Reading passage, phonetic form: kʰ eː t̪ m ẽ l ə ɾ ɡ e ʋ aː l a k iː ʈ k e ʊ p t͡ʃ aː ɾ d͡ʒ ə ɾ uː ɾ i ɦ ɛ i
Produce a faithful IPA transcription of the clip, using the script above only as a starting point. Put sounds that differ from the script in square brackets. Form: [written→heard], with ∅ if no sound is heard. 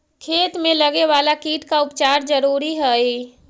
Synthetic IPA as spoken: kʰ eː t̪ m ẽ l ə [ɾ→∅] ɡ e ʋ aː l a k iː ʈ k [e→a] ʊ p t͡ʃ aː ɾ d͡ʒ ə ɾ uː ɾ i ɦ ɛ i